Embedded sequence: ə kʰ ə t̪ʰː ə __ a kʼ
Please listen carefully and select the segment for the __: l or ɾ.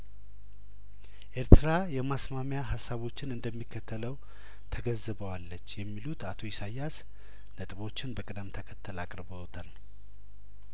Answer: l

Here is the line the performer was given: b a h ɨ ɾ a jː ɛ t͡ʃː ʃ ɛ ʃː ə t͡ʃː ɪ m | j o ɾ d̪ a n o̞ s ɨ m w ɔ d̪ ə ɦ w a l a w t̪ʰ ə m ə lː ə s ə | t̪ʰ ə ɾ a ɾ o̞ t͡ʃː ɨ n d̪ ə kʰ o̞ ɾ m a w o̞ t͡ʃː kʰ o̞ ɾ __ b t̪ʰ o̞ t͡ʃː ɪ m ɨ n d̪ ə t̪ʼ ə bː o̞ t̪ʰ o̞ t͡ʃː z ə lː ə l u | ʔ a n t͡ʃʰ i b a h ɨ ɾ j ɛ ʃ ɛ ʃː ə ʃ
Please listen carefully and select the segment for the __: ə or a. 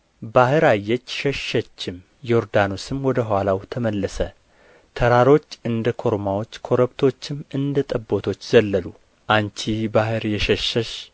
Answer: ə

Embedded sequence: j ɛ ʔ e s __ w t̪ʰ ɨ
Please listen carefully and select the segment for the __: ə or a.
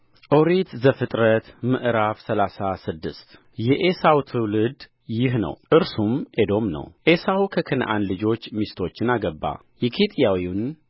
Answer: a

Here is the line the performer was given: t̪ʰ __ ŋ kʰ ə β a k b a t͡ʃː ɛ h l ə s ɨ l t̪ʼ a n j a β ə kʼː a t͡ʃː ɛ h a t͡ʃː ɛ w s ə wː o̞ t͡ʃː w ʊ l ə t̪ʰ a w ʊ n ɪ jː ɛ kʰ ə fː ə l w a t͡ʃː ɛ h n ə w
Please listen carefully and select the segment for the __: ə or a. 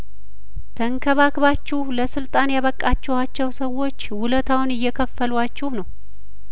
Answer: ə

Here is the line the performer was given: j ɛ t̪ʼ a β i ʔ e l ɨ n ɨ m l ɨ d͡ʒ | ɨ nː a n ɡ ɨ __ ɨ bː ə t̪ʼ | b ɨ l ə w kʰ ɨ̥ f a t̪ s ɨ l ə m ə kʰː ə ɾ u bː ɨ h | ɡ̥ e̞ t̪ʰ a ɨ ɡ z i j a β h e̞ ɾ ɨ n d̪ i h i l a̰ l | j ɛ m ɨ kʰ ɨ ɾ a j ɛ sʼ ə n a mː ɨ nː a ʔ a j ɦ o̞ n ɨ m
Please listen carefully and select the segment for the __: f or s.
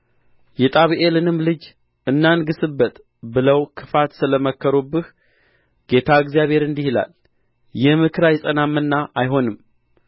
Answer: s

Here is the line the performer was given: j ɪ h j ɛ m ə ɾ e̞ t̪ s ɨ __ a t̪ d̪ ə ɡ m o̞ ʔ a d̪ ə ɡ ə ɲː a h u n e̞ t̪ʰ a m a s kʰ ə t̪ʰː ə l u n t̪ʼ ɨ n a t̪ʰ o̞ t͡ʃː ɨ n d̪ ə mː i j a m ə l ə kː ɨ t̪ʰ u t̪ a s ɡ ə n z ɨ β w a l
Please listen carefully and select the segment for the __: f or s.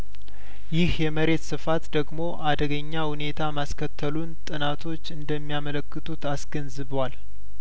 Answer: f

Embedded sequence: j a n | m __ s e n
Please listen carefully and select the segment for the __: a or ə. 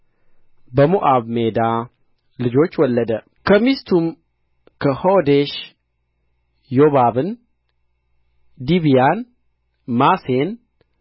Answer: a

